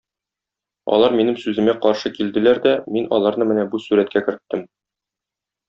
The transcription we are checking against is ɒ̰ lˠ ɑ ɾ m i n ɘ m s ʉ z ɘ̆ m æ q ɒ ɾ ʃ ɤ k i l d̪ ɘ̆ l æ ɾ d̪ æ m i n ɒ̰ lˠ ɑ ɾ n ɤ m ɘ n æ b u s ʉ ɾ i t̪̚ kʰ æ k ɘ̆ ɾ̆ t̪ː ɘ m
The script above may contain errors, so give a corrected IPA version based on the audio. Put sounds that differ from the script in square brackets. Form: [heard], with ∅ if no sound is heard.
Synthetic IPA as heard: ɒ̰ lˠ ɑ ɾ m i n ɘ m s ʉ z ɘ̆ m æ q ɒ ɾ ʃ ɤ k i l d̪ ɘ̆ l æ ɾ d̪ æ m i n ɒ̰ lˠ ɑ ɾ n ɤ m ɘ n æ b u s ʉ ɾ [æ] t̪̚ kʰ æ k ɘ̆ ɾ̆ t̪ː ɘ m